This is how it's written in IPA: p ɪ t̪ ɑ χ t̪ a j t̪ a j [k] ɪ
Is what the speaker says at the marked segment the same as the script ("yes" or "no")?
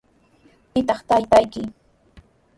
yes